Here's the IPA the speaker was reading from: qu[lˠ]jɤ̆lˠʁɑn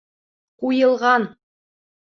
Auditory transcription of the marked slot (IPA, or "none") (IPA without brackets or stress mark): none